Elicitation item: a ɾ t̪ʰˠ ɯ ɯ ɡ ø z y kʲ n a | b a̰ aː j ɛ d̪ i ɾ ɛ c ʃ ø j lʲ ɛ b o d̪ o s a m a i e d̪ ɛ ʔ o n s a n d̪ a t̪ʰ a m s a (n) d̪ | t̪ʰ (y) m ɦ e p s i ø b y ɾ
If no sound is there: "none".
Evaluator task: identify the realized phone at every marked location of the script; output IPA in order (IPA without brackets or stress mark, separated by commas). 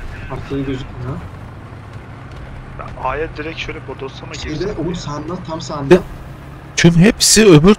n, y